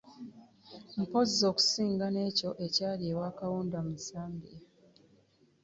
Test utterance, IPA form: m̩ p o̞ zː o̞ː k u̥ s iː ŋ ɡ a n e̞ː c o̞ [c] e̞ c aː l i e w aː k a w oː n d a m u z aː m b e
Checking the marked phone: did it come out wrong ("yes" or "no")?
yes